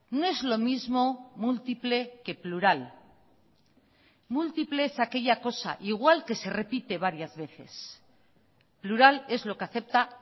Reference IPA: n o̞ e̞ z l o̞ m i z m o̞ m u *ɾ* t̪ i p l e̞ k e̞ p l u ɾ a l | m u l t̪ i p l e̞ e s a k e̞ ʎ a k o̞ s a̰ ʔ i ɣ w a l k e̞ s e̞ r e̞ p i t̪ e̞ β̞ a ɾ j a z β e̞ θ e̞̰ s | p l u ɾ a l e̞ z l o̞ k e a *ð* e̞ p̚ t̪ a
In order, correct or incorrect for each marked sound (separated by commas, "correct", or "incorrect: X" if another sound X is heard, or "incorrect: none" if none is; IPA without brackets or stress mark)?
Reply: incorrect: l, incorrect: θ